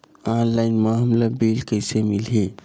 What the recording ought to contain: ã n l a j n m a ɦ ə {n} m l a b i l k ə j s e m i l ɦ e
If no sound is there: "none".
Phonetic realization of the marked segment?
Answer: none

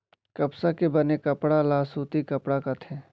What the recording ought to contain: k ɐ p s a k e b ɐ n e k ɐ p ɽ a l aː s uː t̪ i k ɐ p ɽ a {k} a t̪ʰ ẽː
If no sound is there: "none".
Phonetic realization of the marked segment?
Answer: k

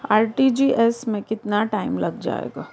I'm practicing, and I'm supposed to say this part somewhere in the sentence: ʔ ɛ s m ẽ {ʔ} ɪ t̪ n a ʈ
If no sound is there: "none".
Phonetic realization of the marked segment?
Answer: k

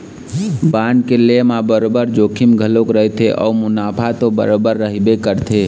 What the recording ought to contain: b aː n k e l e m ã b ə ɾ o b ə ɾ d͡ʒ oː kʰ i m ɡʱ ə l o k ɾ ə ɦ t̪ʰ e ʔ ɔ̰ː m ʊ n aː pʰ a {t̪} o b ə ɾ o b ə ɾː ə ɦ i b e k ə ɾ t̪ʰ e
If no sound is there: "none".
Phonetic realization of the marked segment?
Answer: t̪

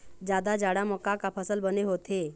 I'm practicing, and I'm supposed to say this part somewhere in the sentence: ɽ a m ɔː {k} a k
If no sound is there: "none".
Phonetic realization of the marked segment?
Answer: k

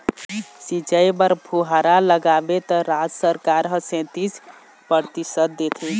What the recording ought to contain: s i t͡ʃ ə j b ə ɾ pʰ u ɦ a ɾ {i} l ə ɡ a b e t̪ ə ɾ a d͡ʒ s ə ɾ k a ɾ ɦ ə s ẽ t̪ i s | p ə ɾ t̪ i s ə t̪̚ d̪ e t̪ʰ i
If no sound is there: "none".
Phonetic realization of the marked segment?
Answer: a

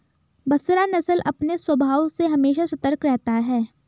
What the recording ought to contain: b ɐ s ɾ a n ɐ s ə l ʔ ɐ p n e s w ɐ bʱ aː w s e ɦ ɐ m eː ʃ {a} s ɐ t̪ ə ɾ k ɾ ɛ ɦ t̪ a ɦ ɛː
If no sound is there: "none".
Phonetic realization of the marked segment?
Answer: a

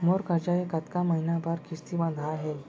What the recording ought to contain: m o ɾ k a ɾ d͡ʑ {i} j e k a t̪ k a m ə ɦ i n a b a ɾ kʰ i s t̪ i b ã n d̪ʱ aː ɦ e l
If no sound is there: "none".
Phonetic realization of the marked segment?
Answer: a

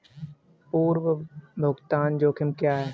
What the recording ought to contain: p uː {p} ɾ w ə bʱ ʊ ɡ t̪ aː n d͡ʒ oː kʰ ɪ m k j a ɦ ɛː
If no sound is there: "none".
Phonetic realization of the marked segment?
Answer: none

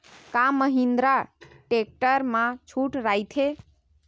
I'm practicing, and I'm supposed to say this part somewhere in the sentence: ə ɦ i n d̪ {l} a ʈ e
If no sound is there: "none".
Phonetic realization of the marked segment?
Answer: ɾ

